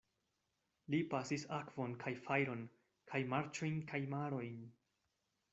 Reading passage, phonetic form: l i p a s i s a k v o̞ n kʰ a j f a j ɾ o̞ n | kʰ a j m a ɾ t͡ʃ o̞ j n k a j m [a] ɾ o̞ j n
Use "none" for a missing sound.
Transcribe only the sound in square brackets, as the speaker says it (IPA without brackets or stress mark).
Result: a